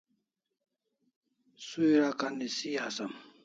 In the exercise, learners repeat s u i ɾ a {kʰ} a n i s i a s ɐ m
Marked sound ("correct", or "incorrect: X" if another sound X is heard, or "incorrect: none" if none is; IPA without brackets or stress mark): incorrect: k